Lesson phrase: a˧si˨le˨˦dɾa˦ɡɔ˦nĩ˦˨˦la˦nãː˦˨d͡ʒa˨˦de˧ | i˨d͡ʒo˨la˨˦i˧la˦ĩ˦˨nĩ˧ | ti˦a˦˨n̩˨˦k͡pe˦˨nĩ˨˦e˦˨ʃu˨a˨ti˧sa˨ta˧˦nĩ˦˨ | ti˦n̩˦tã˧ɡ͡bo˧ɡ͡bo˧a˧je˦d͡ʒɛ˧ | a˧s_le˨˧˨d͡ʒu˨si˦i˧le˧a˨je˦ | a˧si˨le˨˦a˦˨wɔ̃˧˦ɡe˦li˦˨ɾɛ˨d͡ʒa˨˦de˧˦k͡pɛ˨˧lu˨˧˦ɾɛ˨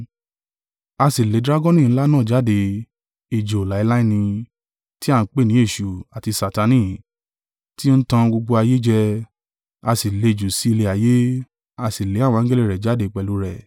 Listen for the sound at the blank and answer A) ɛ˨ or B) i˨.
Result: B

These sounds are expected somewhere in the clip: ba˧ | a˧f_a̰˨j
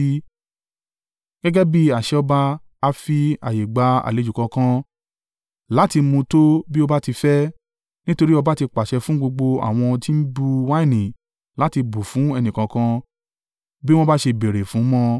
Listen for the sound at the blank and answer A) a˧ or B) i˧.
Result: B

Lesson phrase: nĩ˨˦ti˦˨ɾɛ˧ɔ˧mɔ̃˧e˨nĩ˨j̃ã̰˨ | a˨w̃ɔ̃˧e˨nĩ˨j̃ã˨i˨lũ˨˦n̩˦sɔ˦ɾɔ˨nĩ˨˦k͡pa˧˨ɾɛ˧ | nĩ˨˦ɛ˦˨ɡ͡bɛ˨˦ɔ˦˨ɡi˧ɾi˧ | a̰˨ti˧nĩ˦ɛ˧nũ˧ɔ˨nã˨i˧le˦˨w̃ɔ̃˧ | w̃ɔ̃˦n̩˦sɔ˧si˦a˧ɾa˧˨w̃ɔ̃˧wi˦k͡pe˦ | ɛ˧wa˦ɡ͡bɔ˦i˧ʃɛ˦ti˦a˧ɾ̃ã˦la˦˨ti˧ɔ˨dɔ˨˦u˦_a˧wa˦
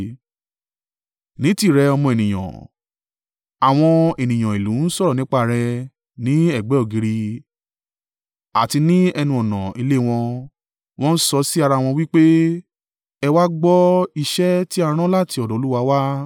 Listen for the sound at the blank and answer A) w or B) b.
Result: A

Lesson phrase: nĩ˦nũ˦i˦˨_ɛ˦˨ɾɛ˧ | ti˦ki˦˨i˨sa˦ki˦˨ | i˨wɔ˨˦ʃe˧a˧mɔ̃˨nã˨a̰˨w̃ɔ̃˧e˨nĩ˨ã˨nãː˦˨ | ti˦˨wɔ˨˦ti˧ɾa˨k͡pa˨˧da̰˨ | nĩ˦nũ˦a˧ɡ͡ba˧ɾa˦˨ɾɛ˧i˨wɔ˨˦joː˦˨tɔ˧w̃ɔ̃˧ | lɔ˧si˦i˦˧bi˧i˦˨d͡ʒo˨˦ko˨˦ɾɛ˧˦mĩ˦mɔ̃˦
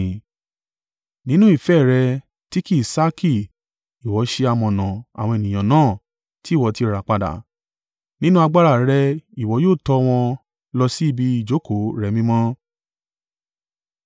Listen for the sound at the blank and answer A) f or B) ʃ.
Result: A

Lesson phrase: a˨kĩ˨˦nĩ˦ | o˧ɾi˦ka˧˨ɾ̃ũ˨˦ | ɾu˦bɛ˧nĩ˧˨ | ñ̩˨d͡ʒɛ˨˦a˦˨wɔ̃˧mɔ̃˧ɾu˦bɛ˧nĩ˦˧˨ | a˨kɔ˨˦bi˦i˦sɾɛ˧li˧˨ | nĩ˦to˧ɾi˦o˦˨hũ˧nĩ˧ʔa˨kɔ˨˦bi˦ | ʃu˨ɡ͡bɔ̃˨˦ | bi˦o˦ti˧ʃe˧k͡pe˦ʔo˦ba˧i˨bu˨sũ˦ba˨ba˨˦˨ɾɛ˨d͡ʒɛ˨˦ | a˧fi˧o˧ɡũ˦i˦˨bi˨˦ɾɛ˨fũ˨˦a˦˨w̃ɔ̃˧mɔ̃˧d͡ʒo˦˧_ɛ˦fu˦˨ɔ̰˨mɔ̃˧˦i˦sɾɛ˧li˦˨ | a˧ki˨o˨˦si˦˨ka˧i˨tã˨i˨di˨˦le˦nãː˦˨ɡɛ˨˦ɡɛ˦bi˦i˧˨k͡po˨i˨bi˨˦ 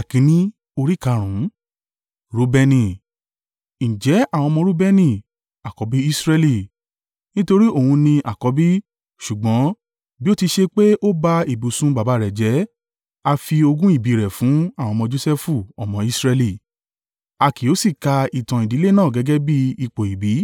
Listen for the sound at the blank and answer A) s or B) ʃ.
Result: A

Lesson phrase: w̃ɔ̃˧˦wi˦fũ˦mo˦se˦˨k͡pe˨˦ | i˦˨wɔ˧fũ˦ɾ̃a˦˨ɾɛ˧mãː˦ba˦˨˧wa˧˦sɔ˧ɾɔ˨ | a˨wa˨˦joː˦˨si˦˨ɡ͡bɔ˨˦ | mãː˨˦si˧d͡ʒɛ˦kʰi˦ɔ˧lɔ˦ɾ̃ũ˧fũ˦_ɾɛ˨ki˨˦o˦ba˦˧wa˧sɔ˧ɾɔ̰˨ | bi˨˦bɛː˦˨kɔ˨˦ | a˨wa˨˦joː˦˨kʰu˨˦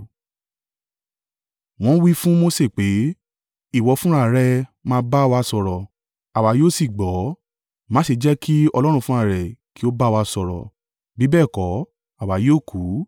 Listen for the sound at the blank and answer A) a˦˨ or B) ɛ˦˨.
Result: A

